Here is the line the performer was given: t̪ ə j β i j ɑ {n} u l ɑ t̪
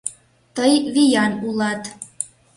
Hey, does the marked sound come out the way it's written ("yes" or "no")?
yes